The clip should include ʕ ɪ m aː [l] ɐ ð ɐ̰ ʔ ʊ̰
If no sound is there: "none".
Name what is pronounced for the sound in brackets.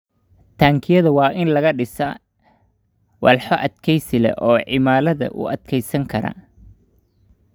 l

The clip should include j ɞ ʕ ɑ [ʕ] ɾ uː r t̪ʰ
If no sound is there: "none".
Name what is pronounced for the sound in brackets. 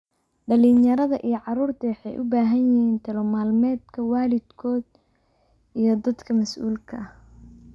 none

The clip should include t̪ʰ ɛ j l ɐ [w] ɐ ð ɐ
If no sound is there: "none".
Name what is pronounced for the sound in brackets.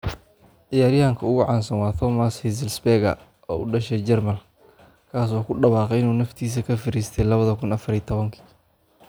β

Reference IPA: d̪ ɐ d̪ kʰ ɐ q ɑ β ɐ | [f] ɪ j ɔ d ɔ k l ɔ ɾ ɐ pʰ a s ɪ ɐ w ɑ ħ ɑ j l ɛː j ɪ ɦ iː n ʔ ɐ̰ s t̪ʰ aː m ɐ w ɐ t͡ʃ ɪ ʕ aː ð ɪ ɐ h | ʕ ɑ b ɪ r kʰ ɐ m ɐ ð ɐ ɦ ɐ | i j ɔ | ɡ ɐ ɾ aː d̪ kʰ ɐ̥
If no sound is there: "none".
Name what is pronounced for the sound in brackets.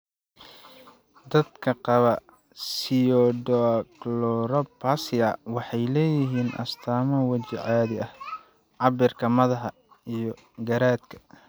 s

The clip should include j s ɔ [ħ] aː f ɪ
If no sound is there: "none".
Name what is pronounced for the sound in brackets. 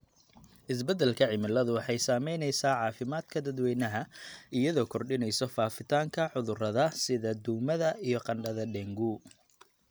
f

